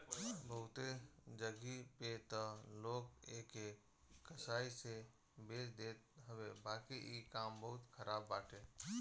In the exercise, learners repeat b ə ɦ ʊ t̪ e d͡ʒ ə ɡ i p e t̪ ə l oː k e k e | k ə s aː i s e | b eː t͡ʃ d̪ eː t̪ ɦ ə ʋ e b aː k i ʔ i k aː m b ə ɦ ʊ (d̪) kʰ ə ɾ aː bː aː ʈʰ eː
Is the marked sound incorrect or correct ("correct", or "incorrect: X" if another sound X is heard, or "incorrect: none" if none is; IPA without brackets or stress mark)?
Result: incorrect: t̪